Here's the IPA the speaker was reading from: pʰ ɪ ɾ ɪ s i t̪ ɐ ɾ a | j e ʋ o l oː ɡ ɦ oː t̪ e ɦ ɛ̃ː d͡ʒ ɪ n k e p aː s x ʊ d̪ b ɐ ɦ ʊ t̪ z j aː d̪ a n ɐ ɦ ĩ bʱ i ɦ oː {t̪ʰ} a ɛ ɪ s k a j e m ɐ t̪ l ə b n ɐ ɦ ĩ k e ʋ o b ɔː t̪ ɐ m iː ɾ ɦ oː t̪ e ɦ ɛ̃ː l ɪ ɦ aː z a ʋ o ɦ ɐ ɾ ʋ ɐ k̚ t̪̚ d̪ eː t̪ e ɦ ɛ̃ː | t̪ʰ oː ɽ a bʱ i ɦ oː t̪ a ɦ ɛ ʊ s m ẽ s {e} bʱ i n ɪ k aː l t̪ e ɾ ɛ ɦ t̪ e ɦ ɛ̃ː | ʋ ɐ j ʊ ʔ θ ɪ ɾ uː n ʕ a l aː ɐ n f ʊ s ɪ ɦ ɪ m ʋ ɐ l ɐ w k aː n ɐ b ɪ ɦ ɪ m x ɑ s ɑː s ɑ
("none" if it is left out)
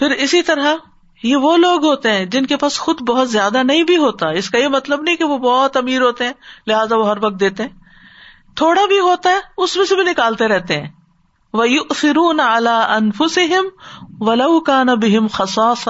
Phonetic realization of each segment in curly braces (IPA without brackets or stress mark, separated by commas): t̪, e